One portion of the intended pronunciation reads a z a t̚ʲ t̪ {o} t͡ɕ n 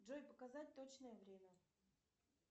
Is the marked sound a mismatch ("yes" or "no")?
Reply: no